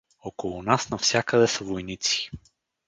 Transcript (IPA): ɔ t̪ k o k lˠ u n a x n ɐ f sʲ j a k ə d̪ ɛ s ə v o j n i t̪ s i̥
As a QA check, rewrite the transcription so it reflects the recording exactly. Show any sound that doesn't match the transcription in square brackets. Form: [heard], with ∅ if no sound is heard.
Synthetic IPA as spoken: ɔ [∅] k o [∅] lˠ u n a [s] n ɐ f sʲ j a k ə d̪ ɛ s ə v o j n i t̪ s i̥